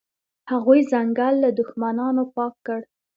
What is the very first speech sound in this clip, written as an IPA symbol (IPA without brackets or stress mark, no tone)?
h